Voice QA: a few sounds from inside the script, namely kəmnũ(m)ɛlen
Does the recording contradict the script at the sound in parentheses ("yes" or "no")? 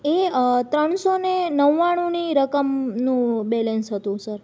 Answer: yes